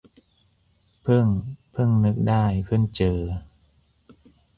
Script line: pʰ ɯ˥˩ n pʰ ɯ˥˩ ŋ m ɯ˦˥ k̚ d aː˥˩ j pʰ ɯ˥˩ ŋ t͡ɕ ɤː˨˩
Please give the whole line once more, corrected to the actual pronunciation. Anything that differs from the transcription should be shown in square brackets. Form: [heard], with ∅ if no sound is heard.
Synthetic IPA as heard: pʰ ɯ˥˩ [ŋ] pʰ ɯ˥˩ ŋ [n] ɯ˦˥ k̚ d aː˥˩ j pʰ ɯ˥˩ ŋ t͡ɕ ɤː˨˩